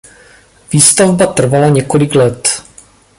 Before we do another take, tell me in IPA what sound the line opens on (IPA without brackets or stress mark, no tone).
v